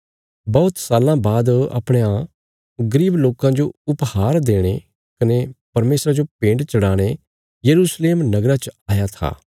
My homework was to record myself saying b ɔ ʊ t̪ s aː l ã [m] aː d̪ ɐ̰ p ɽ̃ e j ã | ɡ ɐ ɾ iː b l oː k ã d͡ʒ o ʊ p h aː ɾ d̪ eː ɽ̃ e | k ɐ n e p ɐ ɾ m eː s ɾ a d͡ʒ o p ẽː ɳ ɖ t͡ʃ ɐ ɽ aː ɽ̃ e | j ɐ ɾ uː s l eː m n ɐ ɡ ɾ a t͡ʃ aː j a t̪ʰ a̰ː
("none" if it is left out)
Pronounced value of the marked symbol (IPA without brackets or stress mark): b